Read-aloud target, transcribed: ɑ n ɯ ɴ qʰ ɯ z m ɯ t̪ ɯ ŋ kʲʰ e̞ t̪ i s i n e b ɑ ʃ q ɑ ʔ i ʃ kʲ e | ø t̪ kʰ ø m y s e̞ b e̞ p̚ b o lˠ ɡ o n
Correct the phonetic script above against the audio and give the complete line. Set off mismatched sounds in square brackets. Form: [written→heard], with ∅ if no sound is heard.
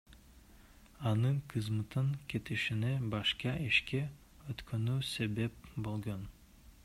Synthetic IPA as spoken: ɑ n ɯ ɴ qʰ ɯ z m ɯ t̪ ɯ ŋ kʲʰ e̞ t̪ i [s→ʃ] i n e b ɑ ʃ q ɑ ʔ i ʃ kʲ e | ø t̪ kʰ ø [m→n] y s e̞ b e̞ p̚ b o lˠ ɡ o n